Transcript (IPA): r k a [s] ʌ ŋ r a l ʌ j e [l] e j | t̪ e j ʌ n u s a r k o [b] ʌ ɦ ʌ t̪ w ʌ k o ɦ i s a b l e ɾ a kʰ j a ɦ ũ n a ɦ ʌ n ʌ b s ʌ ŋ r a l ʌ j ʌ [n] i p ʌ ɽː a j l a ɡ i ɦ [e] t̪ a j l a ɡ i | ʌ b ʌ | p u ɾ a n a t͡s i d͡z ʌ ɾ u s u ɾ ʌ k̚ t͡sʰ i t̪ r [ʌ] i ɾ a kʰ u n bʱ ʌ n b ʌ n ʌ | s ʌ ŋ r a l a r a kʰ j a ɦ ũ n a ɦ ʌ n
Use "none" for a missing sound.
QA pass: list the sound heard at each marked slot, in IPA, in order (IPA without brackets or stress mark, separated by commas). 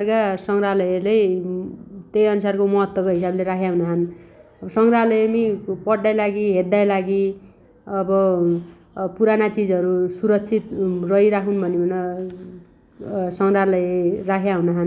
s, l, m, m, e, ʌ